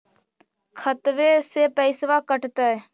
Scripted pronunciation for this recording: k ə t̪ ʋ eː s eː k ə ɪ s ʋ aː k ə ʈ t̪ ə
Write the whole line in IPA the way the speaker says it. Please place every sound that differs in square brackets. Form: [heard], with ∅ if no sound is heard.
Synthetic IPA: [kʰ] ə t̪ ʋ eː s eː [p] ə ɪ s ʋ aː k ə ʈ t̪ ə